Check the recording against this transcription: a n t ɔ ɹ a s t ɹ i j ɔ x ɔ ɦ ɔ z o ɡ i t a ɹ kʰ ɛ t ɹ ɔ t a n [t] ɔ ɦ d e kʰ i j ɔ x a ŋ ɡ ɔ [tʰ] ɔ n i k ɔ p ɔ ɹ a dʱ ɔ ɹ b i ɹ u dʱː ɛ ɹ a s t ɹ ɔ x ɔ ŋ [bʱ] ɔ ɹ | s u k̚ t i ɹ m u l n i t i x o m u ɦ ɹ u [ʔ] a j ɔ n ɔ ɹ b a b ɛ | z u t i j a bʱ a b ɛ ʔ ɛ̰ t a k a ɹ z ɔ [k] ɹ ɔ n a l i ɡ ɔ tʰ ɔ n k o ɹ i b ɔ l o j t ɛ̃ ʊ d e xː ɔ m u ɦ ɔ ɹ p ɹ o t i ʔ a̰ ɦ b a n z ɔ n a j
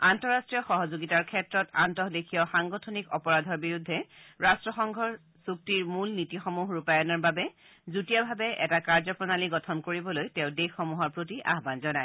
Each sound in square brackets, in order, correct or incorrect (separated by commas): correct, correct, incorrect, incorrect, incorrect